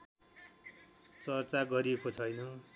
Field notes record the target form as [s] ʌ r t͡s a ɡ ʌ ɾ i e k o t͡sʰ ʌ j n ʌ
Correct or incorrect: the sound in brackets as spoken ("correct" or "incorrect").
incorrect